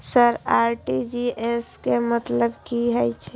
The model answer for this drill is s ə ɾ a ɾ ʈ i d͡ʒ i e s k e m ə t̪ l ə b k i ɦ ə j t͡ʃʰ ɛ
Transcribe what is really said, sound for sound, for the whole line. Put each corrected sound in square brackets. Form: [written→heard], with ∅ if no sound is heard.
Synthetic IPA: s ə ɾ a ɾ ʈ i d͡ʒ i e s k e m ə t̪ l ə b k i ɦ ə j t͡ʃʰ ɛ